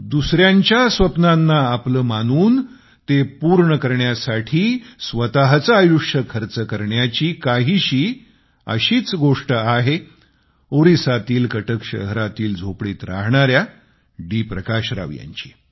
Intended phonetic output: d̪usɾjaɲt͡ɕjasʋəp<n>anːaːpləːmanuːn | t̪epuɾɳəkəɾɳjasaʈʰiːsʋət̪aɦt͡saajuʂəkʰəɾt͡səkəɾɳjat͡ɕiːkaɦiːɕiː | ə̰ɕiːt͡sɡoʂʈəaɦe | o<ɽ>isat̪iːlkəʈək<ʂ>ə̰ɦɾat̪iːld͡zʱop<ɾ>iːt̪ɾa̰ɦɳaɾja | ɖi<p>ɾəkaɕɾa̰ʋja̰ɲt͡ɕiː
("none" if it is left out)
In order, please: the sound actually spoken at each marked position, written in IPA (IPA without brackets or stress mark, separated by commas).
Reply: n, ɾ, ɕ, ɽ, p